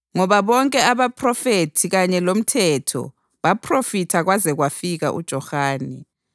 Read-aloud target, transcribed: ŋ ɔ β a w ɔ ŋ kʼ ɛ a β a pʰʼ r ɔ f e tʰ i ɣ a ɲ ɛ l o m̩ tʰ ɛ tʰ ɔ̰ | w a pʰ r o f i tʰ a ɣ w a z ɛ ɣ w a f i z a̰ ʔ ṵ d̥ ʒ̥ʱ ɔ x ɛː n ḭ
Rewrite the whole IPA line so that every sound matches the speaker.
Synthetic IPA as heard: ŋ ɔ β a β ɔ ŋ kʼ ɛ a β a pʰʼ r ɔ f e tʰ i ɣ a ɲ ɛ l o m̩ tʰ ɛ tʰ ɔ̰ | β a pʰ r o f i tʰ a ɣ w a z ɛ ɣ w a f i ɣ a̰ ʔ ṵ d̥ ʒ̥ʱ ɔ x aː n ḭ